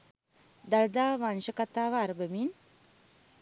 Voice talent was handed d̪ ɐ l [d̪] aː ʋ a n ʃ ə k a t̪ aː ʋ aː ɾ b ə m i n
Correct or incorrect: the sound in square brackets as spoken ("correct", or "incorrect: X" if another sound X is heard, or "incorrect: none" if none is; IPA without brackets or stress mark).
correct